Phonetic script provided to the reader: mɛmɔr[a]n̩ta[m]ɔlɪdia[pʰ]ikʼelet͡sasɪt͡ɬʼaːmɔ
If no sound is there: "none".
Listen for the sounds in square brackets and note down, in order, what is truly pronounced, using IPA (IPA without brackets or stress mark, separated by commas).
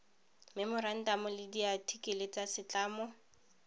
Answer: a, m, tʰ